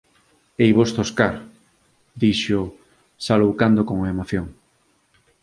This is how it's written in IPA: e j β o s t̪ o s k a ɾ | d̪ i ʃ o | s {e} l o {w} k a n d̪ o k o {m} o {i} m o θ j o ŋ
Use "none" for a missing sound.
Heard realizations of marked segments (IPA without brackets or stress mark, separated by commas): a, w, ŋ, e